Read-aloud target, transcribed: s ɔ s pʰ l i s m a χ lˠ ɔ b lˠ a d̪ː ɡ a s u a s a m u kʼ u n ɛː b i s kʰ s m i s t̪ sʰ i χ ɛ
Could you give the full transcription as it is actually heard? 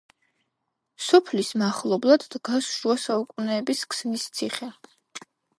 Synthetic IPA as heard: s ɔ pʰ l i s m a χ lˠ ɔ b lˠ a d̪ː ɡ a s u a s a u kʼ u n ɛː b i s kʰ s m i s t̪ sʰ i χ ɛ